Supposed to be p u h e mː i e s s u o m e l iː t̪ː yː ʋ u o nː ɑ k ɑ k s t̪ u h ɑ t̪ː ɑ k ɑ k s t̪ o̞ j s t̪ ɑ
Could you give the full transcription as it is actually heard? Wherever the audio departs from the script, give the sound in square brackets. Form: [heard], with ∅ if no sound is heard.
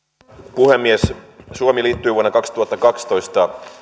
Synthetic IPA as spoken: p u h e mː i e s s u o m [i] l iː t̪ː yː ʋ u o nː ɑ k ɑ k s t̪ u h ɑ t̪ː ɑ k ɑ k s t̪ o̞ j s t̪ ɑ